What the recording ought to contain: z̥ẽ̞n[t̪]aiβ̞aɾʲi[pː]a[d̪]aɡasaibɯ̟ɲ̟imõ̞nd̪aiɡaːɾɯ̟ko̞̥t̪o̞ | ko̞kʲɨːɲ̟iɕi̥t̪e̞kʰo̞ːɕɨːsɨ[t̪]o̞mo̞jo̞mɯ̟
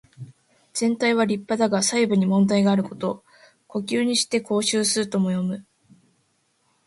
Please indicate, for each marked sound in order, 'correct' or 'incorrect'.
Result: correct, correct, correct, correct

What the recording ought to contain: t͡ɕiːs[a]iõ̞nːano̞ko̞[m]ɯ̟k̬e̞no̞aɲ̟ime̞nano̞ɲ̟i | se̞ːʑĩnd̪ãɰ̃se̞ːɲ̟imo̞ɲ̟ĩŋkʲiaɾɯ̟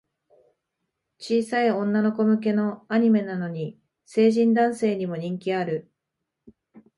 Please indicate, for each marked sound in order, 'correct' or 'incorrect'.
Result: correct, correct

